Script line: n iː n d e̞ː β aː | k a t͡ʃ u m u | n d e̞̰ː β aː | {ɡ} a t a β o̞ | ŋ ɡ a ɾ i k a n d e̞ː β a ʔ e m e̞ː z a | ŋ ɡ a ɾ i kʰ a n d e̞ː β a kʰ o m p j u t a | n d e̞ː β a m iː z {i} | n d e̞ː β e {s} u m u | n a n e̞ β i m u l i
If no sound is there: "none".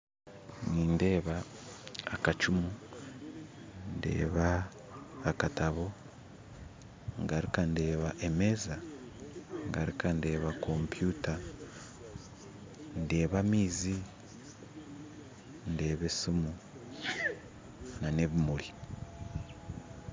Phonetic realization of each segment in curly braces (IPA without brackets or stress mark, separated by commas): k, i, s